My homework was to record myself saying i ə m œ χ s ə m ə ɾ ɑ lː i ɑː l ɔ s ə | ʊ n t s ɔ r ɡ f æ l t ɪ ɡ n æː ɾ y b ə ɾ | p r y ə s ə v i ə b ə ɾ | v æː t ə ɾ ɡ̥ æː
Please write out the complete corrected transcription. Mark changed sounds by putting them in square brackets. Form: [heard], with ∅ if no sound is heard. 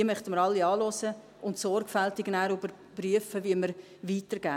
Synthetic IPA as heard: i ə m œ χ [t] ə m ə ɾ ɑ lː i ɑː l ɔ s ə | ʊ n t s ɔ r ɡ f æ l t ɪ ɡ n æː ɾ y b ə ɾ | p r y ə [f] ə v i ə [m] ə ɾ | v [iː] t ə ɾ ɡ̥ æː